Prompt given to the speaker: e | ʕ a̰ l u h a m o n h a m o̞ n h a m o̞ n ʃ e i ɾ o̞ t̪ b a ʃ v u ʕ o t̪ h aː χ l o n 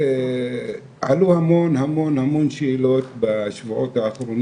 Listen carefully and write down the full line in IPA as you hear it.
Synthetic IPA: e | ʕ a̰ l u h a m o n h a m o̞ n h a m o̞ n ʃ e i l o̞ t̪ b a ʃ v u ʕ o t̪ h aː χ ɾ o n